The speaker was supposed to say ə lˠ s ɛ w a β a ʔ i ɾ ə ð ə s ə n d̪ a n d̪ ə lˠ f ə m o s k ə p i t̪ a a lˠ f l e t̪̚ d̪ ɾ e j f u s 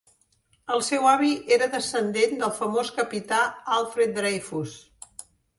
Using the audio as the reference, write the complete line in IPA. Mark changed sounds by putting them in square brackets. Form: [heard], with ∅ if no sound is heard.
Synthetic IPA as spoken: ə lˠ s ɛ w a β [i] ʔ [e] ɾ ə ð ə s ə n d̪ [e] n d̪ ə lˠ f ə m o s k ə p i t̪ a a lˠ f [ɾ] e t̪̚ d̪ ɾ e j f u s